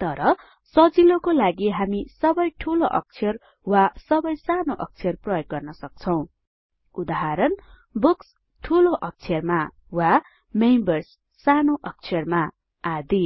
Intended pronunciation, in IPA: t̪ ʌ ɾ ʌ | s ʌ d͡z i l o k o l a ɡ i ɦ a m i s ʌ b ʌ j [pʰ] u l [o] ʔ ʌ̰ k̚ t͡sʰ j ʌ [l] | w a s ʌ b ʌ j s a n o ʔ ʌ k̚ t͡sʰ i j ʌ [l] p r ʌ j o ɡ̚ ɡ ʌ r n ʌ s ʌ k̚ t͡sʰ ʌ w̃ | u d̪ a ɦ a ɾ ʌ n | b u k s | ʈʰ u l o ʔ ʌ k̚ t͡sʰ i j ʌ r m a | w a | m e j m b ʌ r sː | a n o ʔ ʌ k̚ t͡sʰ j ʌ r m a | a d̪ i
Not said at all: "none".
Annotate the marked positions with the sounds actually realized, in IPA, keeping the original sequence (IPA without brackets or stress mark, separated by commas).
ʈʰ, o, r, r